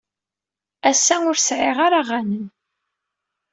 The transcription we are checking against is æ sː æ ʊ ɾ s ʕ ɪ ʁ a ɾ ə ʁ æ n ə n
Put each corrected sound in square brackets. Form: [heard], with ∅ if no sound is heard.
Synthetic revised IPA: æ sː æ ʊ ɾ s ʕ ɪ ʁ a ɾ [a] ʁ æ n ə n